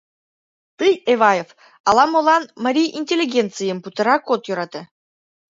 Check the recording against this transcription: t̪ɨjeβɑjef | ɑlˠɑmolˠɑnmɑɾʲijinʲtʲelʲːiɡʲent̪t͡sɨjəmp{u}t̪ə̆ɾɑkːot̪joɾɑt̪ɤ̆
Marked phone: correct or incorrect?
correct